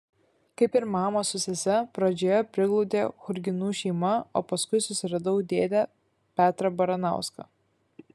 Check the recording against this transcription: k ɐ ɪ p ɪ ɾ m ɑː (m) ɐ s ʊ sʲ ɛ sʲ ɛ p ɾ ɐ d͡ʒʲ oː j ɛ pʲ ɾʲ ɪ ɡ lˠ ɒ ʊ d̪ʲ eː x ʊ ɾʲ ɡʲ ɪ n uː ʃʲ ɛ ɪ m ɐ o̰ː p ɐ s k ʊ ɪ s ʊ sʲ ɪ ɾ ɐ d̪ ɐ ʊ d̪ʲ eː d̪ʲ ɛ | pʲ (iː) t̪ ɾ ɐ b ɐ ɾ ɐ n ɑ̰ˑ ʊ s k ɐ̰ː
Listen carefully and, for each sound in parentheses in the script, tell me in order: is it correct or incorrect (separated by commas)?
correct, incorrect